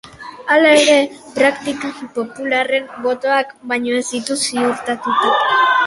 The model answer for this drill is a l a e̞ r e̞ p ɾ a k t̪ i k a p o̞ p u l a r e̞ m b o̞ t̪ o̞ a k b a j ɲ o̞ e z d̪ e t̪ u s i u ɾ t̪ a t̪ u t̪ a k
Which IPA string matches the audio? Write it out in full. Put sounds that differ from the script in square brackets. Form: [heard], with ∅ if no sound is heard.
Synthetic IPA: a l a e̞ [ɾ] e̞ p ɾ a k t̪ i k a p o̞ p u l a r e̞ m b o̞ t̪ o̞ a k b a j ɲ o̞ e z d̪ [i] t̪ u s i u ɾ t̪ a t̪ u t̪ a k